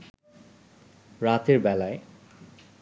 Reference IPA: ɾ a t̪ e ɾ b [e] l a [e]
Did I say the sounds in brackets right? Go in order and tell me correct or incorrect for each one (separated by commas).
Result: incorrect, correct